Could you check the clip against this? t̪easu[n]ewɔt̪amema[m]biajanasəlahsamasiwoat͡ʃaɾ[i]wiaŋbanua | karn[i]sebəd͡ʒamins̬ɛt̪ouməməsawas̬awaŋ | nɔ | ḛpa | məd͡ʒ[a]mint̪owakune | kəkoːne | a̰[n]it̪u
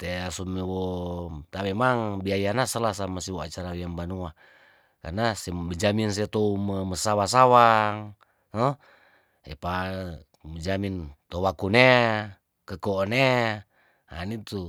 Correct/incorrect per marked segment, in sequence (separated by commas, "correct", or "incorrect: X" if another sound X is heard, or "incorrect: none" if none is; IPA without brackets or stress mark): incorrect: m, incorrect: ŋ, incorrect: a, incorrect: a, correct, correct